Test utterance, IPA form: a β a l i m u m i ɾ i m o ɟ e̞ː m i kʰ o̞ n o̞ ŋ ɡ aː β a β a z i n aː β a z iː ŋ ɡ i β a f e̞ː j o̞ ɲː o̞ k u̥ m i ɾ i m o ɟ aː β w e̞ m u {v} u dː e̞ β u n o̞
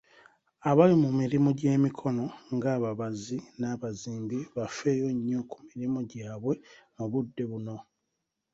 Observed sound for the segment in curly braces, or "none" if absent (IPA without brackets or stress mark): β